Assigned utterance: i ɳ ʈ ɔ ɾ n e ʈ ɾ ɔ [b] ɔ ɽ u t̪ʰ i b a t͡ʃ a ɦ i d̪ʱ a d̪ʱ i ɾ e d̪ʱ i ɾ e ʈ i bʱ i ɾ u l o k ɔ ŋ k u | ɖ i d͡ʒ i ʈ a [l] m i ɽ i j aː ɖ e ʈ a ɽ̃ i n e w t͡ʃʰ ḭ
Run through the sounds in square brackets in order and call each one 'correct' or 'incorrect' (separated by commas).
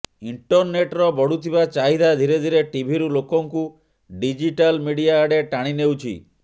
correct, correct